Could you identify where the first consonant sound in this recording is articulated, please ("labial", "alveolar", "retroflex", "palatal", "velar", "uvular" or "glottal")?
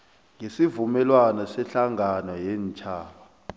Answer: velar